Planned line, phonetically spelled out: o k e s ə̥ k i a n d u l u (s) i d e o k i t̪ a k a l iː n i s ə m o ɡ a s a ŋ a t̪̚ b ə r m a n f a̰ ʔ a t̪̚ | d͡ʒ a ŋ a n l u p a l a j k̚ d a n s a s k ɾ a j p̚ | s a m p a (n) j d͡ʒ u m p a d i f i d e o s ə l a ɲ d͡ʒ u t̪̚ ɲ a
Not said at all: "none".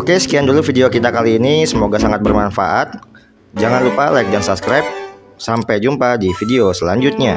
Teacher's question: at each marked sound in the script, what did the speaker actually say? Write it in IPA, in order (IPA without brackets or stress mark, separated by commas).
f, none